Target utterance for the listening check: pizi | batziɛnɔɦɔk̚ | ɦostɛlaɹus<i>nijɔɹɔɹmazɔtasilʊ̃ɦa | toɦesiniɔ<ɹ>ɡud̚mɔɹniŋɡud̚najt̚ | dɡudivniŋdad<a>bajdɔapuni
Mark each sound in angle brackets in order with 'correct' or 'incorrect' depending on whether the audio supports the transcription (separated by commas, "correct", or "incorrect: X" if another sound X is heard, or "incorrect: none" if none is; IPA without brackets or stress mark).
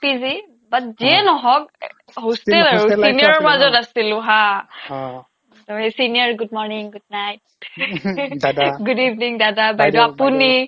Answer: correct, correct, correct